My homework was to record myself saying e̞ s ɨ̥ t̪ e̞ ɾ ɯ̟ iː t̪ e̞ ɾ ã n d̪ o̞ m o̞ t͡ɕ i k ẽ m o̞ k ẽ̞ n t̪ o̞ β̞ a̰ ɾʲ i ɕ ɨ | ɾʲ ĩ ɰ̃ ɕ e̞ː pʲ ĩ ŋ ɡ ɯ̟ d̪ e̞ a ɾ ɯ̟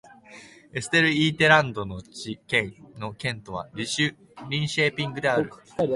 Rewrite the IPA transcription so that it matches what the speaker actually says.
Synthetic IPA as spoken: e̞ s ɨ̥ t̪ e̞ ɾ ɯ̟ iː t̪ e̞ ɾ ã n d̪ o̞ n o̞ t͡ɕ i k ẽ n o̞ k ẽ̞ n t̪ o̞ β̞ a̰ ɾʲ i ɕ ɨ | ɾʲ ĩ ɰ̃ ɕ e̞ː pʲ ĩ ŋ ɡ ɯ̟ d̪ e̞ a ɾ ɯ̟